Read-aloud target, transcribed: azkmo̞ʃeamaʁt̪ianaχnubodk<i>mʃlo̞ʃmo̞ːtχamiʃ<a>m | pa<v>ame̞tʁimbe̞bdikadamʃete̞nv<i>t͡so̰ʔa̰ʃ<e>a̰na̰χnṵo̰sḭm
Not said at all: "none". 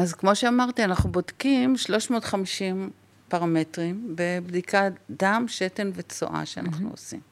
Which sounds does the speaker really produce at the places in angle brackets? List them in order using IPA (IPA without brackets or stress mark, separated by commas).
i, i, ʁ, e, e